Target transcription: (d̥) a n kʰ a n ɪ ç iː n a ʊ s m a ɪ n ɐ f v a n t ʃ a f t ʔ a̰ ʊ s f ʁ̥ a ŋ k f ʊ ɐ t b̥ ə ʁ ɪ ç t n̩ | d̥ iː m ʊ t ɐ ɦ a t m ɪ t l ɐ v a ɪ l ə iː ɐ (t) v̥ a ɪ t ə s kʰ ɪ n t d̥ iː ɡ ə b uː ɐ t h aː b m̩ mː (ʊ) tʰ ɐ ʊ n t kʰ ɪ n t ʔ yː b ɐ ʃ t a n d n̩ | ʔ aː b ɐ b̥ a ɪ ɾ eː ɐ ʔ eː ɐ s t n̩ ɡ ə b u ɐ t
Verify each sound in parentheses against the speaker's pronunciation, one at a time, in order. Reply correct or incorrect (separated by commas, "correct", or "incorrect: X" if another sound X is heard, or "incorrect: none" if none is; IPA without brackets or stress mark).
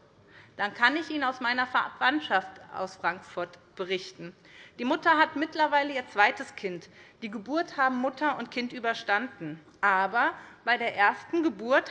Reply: correct, incorrect: t͡s, correct